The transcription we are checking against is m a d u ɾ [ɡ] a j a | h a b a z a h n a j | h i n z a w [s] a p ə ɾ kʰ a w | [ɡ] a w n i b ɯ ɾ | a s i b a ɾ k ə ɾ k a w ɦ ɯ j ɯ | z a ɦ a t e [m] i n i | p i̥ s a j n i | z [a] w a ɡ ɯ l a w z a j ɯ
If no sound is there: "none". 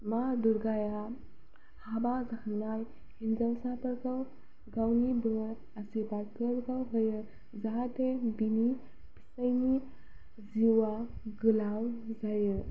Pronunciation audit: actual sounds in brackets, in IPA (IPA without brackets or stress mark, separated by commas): ɡ, s, ɡ, b, i